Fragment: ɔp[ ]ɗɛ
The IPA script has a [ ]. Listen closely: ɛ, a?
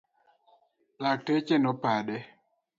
a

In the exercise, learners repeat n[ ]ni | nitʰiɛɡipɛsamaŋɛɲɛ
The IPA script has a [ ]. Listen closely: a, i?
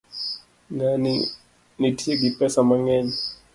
a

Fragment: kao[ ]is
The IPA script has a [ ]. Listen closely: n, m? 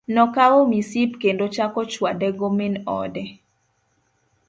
m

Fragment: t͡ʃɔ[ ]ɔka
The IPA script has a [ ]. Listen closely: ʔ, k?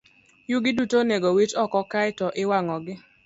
k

